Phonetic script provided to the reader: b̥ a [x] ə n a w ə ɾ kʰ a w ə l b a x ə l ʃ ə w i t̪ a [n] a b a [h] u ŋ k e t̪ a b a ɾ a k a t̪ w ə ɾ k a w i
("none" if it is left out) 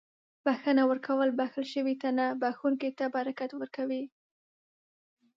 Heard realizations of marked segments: x, n, x

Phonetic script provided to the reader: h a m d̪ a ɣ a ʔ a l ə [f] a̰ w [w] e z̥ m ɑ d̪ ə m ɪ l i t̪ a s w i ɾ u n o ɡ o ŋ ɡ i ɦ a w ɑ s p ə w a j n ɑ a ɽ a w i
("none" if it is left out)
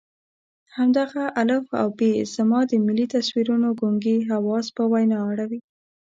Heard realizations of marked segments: f, b

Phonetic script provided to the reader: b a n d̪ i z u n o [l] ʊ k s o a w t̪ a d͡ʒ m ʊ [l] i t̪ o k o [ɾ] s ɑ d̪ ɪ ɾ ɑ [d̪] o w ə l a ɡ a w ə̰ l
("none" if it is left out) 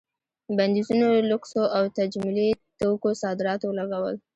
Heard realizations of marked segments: l, l, none, t̪

